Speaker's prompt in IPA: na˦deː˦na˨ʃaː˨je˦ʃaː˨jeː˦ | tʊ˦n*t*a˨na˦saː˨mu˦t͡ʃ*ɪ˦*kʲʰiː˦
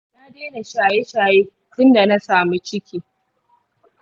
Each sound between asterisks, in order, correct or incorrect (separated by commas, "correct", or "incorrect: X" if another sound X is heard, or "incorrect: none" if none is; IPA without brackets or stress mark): incorrect: d, correct